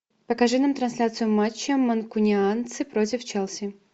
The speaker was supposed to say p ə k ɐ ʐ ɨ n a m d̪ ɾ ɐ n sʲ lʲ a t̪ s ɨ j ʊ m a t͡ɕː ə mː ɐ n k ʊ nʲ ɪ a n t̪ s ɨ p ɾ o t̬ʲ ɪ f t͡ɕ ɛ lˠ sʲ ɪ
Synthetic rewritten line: p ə k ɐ ʐ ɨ n a m t̪ ɾ ɐ n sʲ lʲ a t̪ s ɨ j ʊ m a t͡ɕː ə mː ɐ n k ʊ nʲ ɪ a n t̪ s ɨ p ɾ o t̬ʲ ɪ f t͡ɕ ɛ lˠ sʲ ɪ